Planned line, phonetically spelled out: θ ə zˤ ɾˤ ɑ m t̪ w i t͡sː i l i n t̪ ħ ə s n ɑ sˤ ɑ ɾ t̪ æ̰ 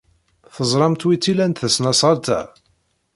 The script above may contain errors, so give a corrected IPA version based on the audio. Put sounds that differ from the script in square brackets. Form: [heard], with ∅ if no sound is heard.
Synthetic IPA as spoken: θ ə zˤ ɾˤ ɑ m t̪ w i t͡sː i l [æ] n t̪ [θ] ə s n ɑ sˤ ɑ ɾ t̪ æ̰